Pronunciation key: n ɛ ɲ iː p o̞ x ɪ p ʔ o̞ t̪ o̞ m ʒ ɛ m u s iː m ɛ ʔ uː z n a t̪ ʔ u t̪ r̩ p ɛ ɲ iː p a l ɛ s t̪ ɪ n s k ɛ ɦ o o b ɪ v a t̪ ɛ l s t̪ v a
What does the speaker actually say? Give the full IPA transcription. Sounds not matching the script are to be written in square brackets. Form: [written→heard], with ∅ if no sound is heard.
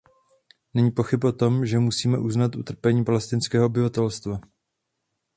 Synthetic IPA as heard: n ɛ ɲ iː p o̞ x ɪ p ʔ o̞ t̪ o̞ m ʒ ɛ m u s iː m ɛ ʔ [uː→u] z n a t̪ ʔ u t̪ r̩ p ɛ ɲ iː p a l ɛ s t̪ ɪ n s k [ɛ→ɛː] ɦ o o b ɪ v a t̪ ɛ l s t̪ v a

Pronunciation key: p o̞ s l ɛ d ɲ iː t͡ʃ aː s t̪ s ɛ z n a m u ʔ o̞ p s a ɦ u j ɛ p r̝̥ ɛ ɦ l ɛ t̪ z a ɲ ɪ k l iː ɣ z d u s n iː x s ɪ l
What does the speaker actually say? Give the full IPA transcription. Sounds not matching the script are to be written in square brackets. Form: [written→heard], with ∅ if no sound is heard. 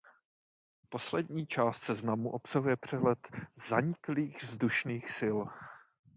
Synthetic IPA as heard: p o̞ s l ɛ d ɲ iː t͡ʃ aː s t̪ s ɛ z n a m u ʔ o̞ p s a ɦ u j ɛ p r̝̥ ɛ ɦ l ɛ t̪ z a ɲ ɪ k l iː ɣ z d u [s→ʃ] n iː x s ɪ l

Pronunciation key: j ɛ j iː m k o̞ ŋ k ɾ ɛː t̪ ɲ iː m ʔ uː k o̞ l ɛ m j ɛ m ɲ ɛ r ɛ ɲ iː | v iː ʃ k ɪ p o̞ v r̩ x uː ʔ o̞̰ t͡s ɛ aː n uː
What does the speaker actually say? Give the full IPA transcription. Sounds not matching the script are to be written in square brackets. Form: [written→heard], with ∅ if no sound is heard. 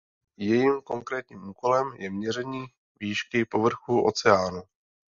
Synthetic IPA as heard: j ɛ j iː m k o̞ ŋ k ɾ ɛː t̪ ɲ iː m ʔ uː k o̞ l ɛ m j ɛ m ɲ ɛ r ɛ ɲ iː | v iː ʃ k ɪ p o̞ v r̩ x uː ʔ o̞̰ t͡s ɛ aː n [uː→u]

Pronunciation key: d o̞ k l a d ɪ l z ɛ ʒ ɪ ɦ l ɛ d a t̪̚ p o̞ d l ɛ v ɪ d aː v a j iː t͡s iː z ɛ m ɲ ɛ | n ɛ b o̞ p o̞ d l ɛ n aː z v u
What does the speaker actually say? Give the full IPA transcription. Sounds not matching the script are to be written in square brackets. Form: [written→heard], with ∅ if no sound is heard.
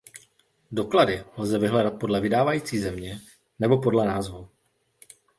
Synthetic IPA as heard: d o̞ k l a d ɪ l z ɛ [ʒ→v] ɪ ɦ l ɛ d a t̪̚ p o̞ d l ɛ v ɪ d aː v a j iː t͡s iː z ɛ m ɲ ɛ | n ɛ b o̞ p o̞ d l ɛ n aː z v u

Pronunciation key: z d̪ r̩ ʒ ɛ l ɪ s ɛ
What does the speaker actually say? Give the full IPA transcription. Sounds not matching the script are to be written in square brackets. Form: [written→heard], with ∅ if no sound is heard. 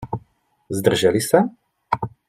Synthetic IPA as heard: z d̪ r̩ ʒ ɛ l [ɪ→i] s [ɛ→a]

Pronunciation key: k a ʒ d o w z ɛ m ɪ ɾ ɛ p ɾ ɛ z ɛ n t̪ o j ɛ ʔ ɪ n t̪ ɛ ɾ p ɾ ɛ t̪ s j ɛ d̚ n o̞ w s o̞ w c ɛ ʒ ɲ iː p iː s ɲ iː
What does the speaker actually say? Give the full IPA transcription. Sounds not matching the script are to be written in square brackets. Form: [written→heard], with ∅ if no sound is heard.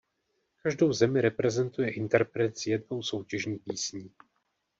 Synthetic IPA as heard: k a ʒ d o w z ɛ m ɪ ɾ ɛ p ɾ ɛ z ɛ n t̪ [o→u] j ɛ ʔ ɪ n t̪ ɛ ɾ p ɾ ɛ t̪ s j ɛ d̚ n o̞ w s o̞ w c ɛ ʒ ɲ iː p iː s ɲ iː

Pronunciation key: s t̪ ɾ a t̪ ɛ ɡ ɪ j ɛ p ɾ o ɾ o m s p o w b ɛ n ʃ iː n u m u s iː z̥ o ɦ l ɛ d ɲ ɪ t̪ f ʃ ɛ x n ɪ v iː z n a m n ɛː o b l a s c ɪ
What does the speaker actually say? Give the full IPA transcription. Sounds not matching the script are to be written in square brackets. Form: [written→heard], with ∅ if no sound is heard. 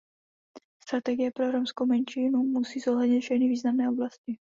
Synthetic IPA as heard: s t̪ ɾ a t̪ ɛ ɡ ɪ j ɛ p ɾ o ɾ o m s [p→k] o w [b→m] ɛ n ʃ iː n u m u s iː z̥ o ɦ l ɛ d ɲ ɪ t̪ f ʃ ɛ x n ɪ v iː z n a m n ɛː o b l a s c ɪ

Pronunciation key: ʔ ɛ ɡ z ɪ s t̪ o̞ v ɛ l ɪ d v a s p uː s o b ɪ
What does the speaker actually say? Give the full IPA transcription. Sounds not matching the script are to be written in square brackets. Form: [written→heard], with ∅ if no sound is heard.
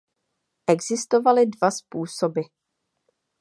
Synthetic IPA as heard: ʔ ɛ ɡ z ɪ s t̪ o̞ v [ɛ→a] l ɪ d v a s p uː s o b ɪ

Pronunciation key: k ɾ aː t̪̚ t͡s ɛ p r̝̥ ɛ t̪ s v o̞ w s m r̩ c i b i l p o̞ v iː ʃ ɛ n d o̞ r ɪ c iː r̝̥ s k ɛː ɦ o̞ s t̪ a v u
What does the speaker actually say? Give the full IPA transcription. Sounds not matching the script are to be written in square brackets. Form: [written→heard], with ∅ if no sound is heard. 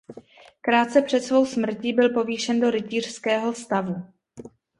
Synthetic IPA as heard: k ɾ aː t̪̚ t͡s ɛ p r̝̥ ɛ t̪ s v o̞ w s m r̩ c i b [i→ɪ] l p o̞ v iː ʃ ɛ n d o̞ [r→ɾ] ɪ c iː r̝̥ s k ɛː ɦ o̞ s t̪ a v u

